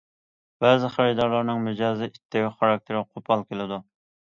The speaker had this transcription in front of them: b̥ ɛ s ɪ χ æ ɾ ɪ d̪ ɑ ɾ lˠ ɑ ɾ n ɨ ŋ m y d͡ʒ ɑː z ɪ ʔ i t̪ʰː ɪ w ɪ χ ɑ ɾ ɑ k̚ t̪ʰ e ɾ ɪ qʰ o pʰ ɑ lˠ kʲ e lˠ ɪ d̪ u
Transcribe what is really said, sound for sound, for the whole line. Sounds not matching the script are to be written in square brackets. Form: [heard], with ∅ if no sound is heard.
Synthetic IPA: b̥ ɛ [z] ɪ χ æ ɾ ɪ d̪ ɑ ɾ lˠ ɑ ɾ n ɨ ŋ m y d͡ʒ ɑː z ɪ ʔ i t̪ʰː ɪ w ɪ χ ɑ ɾ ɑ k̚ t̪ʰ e ɾ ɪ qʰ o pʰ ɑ lˠ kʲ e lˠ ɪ d̪ u